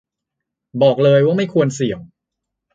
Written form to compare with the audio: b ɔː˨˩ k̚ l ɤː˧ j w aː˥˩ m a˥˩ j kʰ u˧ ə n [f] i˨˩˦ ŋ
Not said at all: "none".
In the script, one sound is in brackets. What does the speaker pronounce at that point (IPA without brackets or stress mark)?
s